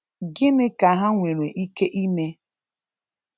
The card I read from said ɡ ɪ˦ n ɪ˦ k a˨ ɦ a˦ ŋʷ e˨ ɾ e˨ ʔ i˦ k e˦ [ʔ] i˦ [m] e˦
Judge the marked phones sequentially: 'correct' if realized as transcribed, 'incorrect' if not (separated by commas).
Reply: correct, correct